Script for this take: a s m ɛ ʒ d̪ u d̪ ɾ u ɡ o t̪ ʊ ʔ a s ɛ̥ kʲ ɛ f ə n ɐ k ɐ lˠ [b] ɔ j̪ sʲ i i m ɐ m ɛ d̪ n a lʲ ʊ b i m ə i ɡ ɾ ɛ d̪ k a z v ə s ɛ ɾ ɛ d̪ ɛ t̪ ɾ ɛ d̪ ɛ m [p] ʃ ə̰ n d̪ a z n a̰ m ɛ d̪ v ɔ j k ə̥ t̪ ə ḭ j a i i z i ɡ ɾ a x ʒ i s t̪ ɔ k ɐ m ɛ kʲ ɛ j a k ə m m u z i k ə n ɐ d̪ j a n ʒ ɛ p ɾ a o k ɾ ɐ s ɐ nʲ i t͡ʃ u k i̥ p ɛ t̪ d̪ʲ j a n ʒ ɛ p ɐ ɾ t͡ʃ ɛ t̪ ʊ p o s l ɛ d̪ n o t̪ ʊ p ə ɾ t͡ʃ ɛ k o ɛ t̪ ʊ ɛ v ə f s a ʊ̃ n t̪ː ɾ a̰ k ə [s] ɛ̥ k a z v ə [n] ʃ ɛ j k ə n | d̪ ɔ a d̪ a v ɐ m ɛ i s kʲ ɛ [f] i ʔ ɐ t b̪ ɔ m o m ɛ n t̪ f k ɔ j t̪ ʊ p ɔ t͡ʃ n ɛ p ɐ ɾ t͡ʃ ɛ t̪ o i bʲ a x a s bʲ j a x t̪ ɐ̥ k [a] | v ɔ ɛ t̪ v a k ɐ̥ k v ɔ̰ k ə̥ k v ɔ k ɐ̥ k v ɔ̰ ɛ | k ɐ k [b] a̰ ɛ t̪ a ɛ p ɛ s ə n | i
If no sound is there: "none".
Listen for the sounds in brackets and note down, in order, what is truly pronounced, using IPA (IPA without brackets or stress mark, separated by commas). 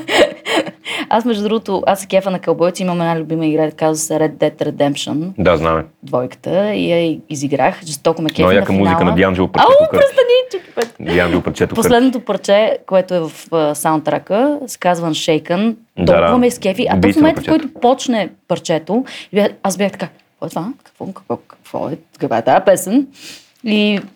b, p, s, n, f, a, v